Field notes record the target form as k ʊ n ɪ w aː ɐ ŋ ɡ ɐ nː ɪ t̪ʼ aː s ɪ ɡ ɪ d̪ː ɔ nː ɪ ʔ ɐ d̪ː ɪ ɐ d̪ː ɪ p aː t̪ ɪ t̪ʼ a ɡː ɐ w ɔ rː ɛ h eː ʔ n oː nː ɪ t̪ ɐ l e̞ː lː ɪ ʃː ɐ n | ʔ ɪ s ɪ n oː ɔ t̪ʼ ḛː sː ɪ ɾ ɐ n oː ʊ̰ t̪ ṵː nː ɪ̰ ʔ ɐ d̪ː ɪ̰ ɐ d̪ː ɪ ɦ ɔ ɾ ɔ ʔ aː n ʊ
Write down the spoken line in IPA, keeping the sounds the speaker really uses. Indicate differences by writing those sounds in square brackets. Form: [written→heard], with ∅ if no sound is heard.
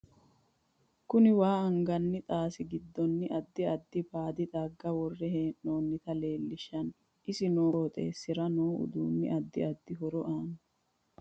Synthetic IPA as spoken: k ʊ n ɪ w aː ɐ ŋ ɡ ɐ nː ɪ t̪ʼ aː s ɪ ɡ ɪ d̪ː ɔ nː ɪ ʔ ɐ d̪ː ɪ ɐ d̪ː ɪ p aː [t̪→d̪] ɪ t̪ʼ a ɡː ɐ w ɔ rː ɛ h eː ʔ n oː nː ɪ t̪ ɐ l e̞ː lː ɪ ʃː ɐ n | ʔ ɪ s ɪ n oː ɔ t̪ʼ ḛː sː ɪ ɾ ɐ n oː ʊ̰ [t̪→d̪] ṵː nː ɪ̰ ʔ ɐ d̪ː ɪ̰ ɐ d̪ː ɪ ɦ ɔ ɾ ɔ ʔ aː n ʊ